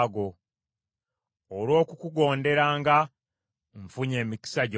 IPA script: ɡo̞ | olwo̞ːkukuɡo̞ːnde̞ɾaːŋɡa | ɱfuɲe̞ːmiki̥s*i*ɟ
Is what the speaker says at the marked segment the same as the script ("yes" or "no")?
no